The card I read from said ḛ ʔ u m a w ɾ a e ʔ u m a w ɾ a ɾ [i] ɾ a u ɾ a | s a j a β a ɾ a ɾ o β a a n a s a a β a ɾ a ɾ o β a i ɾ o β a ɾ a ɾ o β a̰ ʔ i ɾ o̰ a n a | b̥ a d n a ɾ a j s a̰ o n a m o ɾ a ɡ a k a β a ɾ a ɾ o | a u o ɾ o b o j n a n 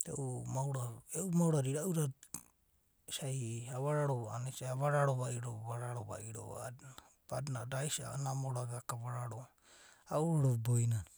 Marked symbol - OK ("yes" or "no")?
yes